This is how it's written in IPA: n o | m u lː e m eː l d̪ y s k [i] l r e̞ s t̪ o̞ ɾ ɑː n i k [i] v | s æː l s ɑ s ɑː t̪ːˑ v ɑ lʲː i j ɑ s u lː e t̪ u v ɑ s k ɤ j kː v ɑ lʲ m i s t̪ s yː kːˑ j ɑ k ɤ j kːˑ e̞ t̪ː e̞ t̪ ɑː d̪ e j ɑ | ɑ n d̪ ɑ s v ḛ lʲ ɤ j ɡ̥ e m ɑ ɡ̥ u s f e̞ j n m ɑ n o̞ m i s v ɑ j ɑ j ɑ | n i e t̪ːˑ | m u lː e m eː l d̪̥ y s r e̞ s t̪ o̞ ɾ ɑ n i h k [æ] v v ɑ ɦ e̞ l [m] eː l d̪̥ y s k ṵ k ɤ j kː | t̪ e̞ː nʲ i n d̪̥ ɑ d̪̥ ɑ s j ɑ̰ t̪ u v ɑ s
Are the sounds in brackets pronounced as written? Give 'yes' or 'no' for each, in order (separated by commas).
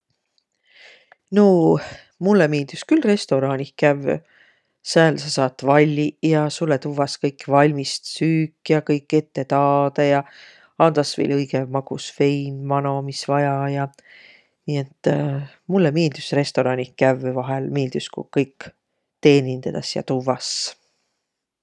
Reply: no, no, yes, yes